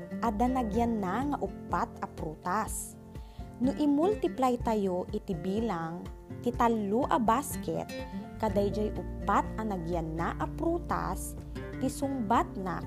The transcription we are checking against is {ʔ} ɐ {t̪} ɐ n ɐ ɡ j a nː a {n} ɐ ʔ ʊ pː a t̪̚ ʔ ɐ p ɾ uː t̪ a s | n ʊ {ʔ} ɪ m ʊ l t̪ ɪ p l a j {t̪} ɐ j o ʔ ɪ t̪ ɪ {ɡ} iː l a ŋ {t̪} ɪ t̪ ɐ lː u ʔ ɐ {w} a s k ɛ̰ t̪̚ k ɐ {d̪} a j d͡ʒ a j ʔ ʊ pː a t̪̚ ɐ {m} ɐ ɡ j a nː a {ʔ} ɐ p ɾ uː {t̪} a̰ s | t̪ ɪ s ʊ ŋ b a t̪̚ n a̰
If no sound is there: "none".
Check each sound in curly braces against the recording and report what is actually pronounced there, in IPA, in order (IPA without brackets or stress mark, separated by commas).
ʔ, d̪, ŋ, ʔ, t̪, b, t̪, b, d̪, n, ʔ, t̪